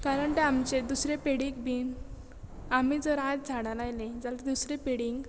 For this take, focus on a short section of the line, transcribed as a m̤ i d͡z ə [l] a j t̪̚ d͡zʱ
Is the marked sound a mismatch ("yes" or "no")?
yes